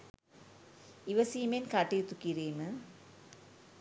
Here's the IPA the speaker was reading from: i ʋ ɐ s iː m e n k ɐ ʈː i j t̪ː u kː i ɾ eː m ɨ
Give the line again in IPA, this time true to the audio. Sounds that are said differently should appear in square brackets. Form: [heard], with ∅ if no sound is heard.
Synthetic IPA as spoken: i ʋ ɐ s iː m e n k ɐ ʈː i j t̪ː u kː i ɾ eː m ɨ